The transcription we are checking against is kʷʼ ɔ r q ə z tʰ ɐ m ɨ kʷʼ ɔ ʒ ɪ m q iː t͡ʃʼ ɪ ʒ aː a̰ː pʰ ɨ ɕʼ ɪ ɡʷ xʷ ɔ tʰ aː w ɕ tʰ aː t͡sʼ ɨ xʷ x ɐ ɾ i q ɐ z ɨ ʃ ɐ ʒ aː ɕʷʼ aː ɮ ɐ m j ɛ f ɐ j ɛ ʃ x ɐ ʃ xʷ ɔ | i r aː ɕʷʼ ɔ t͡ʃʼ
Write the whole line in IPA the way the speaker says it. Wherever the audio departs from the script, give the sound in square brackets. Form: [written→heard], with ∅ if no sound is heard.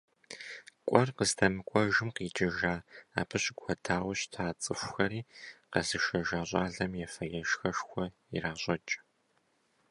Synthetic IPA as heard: kʷʼ ɔ r q ə z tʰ ɐ m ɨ kʷʼ ɔ ʒ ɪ m q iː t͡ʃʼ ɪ ʒ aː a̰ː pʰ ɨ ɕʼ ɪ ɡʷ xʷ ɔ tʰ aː w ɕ tʰ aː t͡sʼ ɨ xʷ x ɐ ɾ [i→iː] q ɐ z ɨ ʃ ɐ ʒ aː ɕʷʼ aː ɮ ɐ m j ɛ f ɐ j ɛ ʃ x ɐ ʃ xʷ ɔ | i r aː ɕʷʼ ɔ t͡ʃʼ